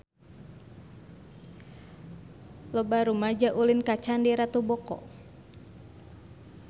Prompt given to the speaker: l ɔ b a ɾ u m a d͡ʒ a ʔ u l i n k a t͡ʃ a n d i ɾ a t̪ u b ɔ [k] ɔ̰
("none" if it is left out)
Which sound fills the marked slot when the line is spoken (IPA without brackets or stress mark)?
k